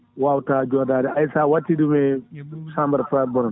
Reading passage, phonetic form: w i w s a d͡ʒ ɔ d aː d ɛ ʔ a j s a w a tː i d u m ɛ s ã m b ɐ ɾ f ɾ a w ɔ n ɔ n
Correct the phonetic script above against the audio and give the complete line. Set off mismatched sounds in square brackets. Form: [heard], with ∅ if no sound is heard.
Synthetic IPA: w [a] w [t] a d͡ʒ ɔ d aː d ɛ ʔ a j s a w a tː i d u m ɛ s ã m b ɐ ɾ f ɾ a [b] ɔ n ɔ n